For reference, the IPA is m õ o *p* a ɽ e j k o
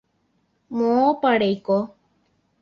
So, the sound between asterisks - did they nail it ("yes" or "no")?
yes